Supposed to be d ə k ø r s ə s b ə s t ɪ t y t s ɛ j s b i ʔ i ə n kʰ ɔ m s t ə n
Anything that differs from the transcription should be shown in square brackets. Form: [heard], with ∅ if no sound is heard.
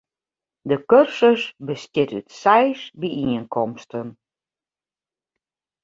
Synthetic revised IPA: d ə k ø r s ə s b ə s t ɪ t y t s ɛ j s b i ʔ i ə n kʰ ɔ m s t ə n